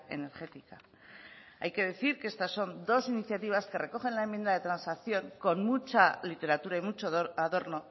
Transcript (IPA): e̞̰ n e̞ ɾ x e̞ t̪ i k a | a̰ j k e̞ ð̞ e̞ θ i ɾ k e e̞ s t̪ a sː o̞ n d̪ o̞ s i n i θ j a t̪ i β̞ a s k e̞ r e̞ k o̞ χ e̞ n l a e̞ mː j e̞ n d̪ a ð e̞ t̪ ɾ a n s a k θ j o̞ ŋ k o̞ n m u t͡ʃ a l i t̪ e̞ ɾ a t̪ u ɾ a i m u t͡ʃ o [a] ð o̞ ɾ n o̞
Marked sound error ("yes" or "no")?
no